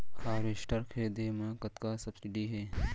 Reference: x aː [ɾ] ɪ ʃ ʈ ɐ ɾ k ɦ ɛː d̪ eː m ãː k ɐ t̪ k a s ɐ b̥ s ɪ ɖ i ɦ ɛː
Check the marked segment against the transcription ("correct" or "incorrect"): correct